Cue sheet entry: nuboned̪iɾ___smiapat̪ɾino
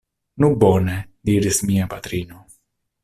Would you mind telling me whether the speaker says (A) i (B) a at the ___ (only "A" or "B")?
A